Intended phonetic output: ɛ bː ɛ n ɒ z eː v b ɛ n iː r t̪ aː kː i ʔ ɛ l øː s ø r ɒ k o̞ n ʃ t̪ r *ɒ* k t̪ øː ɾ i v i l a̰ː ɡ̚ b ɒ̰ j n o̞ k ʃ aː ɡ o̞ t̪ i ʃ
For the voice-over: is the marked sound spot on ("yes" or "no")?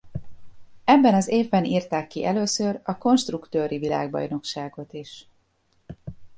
no